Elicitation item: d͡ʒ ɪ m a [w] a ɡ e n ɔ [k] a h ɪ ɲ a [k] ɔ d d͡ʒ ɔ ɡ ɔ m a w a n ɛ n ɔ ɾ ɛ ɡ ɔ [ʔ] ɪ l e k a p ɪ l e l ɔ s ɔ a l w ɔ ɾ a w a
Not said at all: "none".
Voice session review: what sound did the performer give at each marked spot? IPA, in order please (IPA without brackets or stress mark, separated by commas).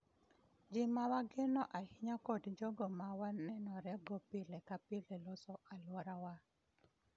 w, ʔ, k, p